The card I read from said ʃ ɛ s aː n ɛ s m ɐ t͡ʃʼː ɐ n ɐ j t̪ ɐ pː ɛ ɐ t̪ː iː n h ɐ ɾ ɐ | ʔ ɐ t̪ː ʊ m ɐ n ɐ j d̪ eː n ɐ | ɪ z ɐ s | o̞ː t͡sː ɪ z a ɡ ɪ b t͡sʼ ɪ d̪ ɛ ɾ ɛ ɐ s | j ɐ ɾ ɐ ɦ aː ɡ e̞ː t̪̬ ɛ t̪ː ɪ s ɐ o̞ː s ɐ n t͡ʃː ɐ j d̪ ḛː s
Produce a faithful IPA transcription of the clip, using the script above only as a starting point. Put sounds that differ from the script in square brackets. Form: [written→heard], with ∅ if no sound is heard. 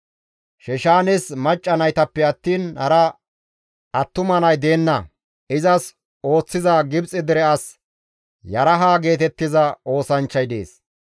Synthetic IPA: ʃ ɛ [s→ʃ] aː n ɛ s m ɐ t͡ʃʼː ɐ n ɐ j t̪ ɐ pː ɛ ɐ t̪ː iː n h ɐ ɾ ɐ | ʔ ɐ t̪ː ʊ m ɐ n ɐ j d̪ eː [n→nː] ɐ | ɪ z ɐ s | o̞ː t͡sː ɪ z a ɡ ɪ b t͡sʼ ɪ d̪ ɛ ɾ ɛ ɐ s | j ɐ ɾ ɐ ɦ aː ɡ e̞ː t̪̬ ɛ t̪ː ɪ [s→z] ɐ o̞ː s ɐ n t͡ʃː ɐ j d̪ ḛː s